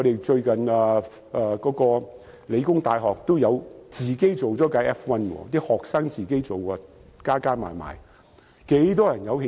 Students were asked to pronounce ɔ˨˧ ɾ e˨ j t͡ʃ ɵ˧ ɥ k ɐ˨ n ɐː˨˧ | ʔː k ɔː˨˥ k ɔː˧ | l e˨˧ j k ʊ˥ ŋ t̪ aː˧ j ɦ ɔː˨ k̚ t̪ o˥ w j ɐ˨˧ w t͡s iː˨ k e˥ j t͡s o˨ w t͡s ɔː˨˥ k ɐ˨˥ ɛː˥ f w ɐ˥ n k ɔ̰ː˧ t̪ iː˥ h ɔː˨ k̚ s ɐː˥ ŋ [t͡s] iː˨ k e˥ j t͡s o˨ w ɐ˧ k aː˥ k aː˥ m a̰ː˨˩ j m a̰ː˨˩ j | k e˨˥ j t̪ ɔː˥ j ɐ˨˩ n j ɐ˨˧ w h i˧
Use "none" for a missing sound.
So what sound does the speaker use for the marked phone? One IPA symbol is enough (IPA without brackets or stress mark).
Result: t͡s